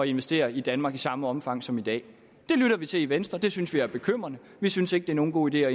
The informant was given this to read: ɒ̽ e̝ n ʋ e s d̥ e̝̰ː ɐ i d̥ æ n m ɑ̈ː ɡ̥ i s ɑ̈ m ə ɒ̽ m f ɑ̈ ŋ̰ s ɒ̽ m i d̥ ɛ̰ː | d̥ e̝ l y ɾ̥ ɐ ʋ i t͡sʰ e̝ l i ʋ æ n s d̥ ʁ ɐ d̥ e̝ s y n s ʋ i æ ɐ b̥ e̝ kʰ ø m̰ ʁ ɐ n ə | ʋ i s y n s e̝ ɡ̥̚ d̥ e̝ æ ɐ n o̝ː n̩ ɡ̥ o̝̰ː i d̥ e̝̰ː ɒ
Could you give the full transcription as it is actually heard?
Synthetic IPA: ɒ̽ e̝ n ʋ e s d̥ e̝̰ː ɐ i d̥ æ n m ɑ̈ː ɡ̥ i s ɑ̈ m ə ɒ̽ m f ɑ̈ ŋ̰ s ɒ̽ m i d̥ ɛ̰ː | d̥ e̝ l y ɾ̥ ɐ ʋ i t͡sʰ e̝ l i ʋ e n s d̥ ʁ ɐ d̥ e̝ s y n s ʋ i æ ɐ b̥ e̝ kʰ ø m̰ ʁ ɐ n ə | ʋ i s y n s e̝ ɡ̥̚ d̥ e̝ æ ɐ n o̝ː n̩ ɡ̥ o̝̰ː i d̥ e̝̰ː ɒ